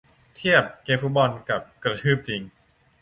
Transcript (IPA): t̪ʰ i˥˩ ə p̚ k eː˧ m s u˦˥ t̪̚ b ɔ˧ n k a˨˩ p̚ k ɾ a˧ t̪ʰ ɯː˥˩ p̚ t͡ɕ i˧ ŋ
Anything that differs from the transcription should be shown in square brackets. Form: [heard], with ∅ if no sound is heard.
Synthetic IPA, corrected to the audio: t̪ʰ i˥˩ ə p̚ k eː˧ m [f] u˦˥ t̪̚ b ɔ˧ n k a˨˩ p̚ k ɾ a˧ t̪ʰ ɯː˥˩ p̚ t͡ɕ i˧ ŋ